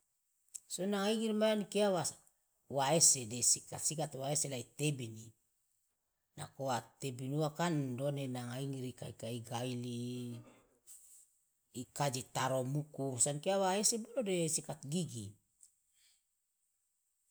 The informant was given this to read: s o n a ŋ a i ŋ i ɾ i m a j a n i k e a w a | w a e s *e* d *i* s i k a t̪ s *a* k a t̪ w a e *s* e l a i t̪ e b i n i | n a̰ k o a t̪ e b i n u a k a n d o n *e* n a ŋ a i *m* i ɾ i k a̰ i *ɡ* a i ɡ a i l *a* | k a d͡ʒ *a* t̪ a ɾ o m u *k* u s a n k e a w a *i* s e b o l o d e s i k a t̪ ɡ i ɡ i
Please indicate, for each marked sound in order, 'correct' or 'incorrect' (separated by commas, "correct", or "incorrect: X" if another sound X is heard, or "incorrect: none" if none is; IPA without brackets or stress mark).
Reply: correct, incorrect: e, incorrect: i, correct, correct, incorrect: ŋ, incorrect: k, incorrect: i, incorrect: i, correct, incorrect: e